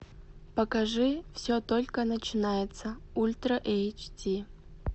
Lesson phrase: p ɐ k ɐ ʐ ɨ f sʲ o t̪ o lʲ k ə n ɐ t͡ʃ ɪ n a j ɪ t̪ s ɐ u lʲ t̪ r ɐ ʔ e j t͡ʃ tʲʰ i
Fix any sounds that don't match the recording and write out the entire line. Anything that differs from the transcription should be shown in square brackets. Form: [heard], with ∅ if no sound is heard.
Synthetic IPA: p ɐ k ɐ ʐ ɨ f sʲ o t̪ o lʲ k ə n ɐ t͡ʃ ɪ n a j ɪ t̪ s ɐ u lʲ t̪ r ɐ ʔ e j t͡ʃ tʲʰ i